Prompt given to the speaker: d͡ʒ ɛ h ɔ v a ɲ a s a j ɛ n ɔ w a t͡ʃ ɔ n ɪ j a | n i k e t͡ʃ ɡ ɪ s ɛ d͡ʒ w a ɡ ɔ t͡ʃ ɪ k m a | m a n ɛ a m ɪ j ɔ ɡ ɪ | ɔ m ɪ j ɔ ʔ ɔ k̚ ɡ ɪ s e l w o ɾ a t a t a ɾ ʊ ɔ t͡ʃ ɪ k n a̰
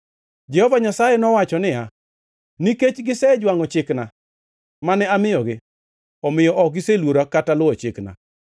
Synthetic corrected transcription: d͡ʒ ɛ h ɔ v a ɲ a s a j ɛ n ɔ w a t͡ʃ ɔ n ɪ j a | n i k e t͡ʃ ɡ ɪ s ɛ d͡ʒ w a ŋ ɔ t͡ʃ ɪ k n a | m a n ɛ a m ɪ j ɔ ɡ ɪ | ɔ m ɪ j ɔ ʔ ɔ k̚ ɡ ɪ s e l w o ɾ a k a t a l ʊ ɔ t͡ʃ ɪ k n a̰